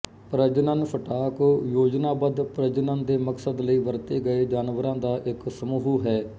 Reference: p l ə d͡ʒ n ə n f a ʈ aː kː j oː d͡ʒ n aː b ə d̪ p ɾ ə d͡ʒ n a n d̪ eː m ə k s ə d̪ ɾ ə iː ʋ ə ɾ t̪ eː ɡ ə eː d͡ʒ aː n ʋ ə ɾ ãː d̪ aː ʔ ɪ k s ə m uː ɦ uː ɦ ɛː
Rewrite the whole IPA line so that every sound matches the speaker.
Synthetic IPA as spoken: p ɾ ə d͡ʒ n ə n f ə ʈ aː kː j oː d͡ʒ n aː b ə d̪ p ɾ ə d͡ʒ n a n d̪ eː m ə k s ə d̪ l ə iː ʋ ə ɾ t̪ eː ɡ ə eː d͡ʒ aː n ʋ ə ɾ ãː d̪ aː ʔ ɪ k s ə m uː ɦ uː ɦ ɛː

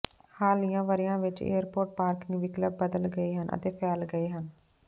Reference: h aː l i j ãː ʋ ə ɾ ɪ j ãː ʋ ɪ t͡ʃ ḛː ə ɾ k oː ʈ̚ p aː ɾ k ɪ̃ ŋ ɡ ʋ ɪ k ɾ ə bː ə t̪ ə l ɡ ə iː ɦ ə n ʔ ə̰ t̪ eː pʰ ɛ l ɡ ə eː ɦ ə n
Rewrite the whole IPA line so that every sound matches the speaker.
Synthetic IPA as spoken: h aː l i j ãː ʋ ə ɾ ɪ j ãː ʋ ɪ t͡ʃ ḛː ə ɾ p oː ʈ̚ p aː ɾ k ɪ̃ ŋ ɡ ʋ ɪ k l ə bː ə d̪ ə l ɡ ə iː ɦ ə n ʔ ə̰ t̪ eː pʰ ɛː l ɡ ə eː ɦ ə n

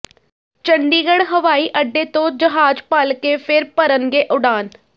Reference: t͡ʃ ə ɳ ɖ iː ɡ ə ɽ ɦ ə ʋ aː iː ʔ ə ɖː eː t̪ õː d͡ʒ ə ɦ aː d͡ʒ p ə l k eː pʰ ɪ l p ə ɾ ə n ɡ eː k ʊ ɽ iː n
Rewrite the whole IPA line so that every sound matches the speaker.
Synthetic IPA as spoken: t͡ʃ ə ɳ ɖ iː ɡ ə ɽ ɦ ə ʋ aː iː ʔ ə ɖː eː t̪ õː d͡ʒ ə ɦ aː d͡ʒ p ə l k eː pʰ ɪ ɾ p ə ɾ ə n ɡ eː ʔ ʊ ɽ aː n

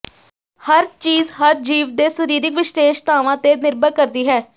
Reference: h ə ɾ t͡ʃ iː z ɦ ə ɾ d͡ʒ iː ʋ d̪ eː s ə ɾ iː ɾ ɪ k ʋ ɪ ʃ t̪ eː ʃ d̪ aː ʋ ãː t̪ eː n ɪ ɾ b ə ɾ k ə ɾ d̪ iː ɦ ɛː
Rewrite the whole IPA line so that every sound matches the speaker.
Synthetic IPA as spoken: h ə ɾ t͡ʃ iː z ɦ ə ɾ d͡ʒ iː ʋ d̪ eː s ə ɾ iː ɾ ɪ k ʋ ɪ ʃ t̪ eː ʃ t̪ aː ʋ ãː t̪ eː n ɪ ɾ b ə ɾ k ə ɾ d̪ iː ɦ ɛː

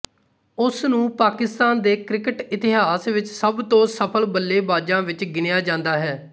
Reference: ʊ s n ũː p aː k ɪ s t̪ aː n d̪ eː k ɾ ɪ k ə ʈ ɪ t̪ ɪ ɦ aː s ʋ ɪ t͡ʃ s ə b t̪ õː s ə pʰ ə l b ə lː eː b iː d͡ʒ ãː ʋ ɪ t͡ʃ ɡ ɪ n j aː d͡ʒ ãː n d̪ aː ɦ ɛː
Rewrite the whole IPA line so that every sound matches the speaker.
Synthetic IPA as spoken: ʊ s n ũː p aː k ɪ s t̪ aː n d̪ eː k ɾ ɪ k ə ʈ ɪ t̪ ɪ ɦ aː s ʋ ɪ t͡ʃ s ə b t̪ õː s ə pʰ ə l b ə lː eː b aː d͡ʒ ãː ʋ ɪ t͡ʃ ɡ ɪ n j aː d͡ʒ ãː n d̪ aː ɦ ɛː

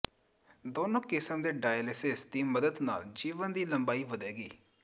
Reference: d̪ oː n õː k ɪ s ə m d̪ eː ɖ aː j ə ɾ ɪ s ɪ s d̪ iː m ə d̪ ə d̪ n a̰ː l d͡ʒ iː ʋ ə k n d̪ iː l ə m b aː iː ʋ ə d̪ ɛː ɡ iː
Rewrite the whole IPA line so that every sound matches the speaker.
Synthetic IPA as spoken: d̪ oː n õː k ɪ s ə m d̪ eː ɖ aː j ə l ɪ s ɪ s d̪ iː m ə d̪ ə d̪ n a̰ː l d͡ʒ iː ʋ ə n d̪ iː l ə m b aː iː ʋ ə d̪ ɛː ɡ iː

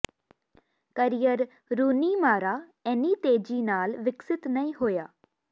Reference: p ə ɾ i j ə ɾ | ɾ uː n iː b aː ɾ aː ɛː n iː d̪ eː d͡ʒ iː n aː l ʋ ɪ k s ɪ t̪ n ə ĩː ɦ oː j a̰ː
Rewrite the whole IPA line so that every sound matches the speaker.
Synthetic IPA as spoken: k ə ɾ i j ə ɾ | ɾ uː n iː m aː ɾ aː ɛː n iː t̪ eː d͡ʒ iː n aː l ʋ ɪ k s ɪ t̪ n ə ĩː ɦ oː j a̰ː

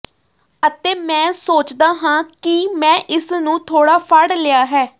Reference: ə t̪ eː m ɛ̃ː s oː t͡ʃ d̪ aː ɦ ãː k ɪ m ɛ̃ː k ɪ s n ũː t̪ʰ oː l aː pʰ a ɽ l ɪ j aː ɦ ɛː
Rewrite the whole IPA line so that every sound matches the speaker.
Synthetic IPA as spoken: ə t̪ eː m ɛ̃ː s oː t͡ʃ d̪ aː ɦ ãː k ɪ m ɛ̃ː ʔ ɪ s n ũː t̪ʰ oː ɽ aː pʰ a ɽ l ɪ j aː ɦ ɛː

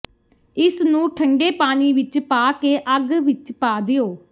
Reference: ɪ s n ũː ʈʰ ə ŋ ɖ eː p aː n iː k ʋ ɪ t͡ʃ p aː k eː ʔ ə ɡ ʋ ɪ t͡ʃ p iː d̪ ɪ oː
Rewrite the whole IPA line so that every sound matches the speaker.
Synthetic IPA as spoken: ɪ s n ũː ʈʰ ə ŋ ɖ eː p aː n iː ʋ ɪ t͡ʃ p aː k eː ʔ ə ɡ ʋ ɪ t͡ʃ p aː d̪ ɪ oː

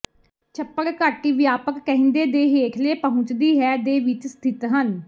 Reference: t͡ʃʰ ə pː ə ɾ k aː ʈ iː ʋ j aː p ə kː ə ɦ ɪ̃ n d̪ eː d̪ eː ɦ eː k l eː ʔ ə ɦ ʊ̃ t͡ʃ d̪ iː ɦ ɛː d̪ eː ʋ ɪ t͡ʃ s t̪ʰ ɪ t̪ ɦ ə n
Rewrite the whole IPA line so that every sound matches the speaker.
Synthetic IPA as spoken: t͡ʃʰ ə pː ə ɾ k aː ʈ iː ʋ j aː p ə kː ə ɦ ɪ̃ n d̪ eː d̪ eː ɦ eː kʰ l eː p ə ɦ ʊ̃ t͡ʃ d̪ iː ɦ ɛː d̪ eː ʋ ɪ t͡ʃ s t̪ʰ ɪ t̪ ɦ ə n

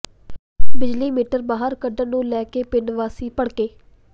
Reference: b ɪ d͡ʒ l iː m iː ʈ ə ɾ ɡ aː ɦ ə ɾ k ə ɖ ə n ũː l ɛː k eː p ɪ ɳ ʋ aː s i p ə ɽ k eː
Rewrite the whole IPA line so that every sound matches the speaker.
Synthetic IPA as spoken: b ɪ d͡ʒ l iː m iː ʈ ə ɾ b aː ɦ ə ɾ k ə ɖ ə n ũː l ɛː k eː p ɪ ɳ ʋ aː s iː p ə ɽ k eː

